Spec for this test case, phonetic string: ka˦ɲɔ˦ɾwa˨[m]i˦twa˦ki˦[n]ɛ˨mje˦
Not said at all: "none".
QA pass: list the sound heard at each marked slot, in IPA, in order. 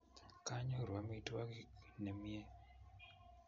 m, n

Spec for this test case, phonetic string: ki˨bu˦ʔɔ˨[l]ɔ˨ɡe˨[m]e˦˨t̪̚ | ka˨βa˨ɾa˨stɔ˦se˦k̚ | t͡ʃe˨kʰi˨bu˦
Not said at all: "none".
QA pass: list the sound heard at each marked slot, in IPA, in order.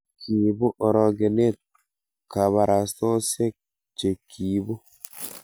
ɾ, n

